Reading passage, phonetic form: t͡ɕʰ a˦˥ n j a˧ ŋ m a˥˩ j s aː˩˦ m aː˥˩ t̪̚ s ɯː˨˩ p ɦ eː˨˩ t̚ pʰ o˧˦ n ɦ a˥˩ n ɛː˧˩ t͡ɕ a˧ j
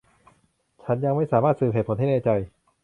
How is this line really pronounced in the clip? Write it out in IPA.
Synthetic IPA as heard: t͡ɕʰ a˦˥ n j a˧ ŋ m a˥˩ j s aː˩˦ m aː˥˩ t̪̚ s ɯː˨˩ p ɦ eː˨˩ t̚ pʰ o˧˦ n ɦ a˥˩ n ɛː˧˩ t͡ɕ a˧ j